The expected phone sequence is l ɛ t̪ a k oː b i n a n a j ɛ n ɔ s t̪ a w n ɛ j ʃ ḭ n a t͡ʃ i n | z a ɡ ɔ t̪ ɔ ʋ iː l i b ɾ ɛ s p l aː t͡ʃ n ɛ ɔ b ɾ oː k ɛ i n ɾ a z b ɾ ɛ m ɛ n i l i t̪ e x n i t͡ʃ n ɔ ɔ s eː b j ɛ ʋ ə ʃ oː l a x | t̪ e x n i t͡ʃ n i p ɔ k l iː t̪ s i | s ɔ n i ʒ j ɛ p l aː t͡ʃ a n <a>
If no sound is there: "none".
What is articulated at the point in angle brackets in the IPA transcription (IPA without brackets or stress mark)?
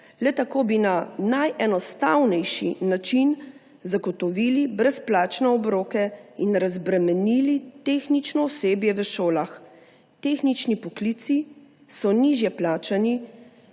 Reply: i